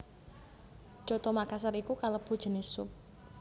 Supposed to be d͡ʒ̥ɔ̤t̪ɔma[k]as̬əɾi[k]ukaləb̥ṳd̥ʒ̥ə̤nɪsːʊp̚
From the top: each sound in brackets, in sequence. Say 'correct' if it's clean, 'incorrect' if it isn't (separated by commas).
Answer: correct, correct